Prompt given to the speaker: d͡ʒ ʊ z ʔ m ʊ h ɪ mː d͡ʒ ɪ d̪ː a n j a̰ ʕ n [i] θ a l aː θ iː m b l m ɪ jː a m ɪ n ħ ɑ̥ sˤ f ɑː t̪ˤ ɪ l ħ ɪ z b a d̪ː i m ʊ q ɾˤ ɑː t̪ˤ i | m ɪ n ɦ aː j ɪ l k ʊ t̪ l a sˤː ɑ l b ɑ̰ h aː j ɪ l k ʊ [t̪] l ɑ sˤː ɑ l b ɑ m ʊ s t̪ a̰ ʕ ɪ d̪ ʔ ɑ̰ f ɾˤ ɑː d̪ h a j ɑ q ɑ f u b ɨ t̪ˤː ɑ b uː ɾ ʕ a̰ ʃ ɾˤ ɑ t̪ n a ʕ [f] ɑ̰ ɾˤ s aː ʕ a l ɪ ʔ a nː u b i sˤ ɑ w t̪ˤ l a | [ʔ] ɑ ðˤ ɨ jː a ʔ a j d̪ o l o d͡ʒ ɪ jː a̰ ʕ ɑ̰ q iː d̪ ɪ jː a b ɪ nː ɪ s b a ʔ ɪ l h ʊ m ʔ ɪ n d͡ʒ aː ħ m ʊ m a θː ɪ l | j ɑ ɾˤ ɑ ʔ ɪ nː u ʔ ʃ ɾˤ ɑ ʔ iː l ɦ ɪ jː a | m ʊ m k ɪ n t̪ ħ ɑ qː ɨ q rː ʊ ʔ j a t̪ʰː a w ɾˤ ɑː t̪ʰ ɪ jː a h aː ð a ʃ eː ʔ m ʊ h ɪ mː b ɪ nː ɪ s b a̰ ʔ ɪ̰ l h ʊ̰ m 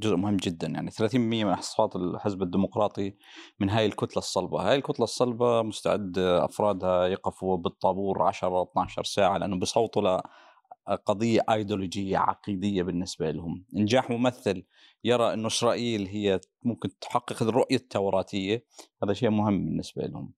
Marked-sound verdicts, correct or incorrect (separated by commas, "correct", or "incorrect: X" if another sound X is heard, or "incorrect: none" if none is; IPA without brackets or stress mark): correct, correct, incorrect: ʃ, incorrect: q